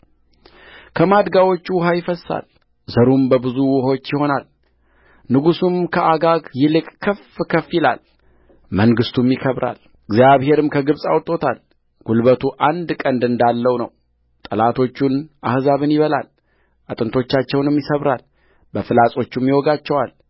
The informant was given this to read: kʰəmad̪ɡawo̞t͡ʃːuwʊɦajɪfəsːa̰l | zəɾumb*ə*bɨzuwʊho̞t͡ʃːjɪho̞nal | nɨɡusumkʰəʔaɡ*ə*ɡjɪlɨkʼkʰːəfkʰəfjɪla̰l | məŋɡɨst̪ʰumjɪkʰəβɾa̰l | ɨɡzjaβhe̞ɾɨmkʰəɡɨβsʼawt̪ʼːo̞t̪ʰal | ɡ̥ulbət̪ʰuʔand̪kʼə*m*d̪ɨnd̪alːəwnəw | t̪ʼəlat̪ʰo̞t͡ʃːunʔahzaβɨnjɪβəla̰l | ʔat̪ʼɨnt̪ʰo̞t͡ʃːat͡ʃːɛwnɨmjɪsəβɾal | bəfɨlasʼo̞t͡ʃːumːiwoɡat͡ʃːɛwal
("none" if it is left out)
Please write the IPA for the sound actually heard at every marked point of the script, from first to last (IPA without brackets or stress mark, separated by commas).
ə, a, n